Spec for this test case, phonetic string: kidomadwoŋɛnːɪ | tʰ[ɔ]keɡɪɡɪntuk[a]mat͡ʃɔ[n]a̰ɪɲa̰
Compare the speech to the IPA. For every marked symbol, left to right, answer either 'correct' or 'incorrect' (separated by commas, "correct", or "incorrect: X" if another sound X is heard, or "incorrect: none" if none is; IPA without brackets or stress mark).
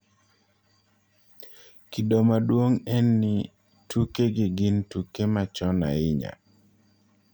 incorrect: u, incorrect: e, correct